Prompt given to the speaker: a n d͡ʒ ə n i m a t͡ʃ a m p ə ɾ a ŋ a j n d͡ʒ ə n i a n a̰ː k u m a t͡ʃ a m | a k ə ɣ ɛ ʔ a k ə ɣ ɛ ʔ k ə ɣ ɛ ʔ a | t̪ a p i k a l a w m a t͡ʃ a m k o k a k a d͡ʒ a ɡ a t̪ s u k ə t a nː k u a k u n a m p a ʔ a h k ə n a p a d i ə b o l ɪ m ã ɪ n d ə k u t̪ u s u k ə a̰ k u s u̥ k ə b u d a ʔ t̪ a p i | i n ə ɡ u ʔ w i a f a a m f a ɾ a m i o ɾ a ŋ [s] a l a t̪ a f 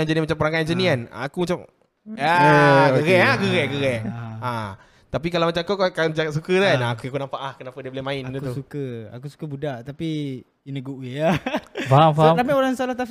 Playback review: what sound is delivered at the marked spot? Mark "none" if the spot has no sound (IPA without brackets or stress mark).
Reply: s